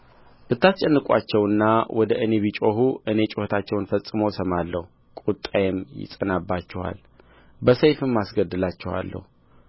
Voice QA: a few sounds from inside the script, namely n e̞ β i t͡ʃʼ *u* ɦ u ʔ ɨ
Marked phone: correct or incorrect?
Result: incorrect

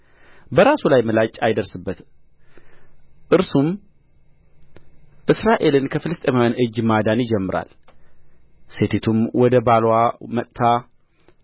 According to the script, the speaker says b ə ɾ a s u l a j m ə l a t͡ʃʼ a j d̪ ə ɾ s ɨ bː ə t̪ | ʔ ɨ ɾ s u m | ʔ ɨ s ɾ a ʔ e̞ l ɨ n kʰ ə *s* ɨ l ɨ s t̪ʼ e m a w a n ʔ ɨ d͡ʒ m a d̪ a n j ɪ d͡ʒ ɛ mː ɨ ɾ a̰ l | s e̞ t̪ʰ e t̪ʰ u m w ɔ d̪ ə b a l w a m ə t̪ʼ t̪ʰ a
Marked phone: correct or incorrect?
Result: incorrect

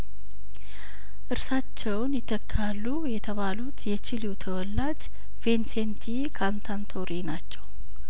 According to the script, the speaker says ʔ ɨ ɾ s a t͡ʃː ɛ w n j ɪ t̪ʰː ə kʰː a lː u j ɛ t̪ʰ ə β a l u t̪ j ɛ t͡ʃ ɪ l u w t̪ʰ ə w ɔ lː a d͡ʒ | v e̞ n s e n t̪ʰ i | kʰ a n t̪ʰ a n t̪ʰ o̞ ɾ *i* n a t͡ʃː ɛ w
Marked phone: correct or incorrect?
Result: correct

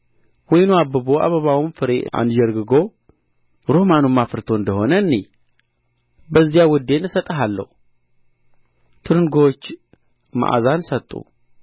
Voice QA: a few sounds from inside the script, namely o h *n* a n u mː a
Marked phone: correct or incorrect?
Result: incorrect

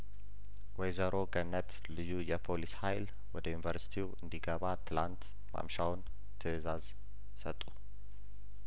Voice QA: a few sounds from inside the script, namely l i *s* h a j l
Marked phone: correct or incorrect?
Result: correct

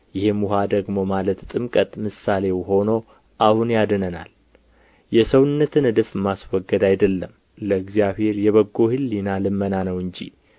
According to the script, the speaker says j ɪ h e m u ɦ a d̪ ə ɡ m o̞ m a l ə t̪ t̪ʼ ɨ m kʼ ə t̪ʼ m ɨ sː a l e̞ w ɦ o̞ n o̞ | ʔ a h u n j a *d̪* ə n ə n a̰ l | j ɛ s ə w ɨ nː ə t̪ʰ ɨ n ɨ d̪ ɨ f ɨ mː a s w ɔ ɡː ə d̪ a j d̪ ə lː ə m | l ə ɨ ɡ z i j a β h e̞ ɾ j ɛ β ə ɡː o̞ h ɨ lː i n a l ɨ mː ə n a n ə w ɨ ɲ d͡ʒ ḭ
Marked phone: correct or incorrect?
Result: correct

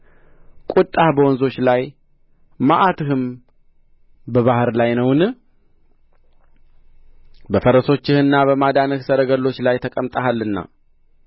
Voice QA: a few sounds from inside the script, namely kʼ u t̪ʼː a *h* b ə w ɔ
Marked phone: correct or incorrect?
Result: correct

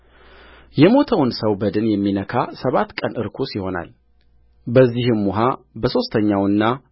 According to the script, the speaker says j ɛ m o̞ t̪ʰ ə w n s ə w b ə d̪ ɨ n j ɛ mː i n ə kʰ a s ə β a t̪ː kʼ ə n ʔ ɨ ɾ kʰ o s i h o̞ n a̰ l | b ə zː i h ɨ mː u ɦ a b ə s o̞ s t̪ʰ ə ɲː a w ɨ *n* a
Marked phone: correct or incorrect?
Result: incorrect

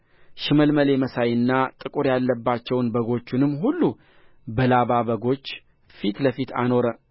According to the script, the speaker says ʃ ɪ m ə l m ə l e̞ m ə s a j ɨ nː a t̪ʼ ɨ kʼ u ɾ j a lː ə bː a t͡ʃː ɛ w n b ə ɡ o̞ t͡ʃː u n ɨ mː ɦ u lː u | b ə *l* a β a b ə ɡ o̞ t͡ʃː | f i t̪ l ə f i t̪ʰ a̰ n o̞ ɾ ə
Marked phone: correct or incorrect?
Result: correct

